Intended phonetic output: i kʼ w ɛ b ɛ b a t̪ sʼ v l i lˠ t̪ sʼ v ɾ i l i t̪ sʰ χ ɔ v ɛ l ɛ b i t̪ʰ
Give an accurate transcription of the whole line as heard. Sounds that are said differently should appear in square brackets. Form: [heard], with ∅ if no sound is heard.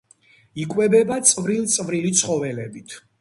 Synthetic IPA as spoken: i kʼ w ɛ b ɛ b a t̪ sʼ v [ɾ] i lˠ t̪ sʼ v ɾ i l i t̪ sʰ χ ɔ v ɛ l ɛ b i t̪ʰ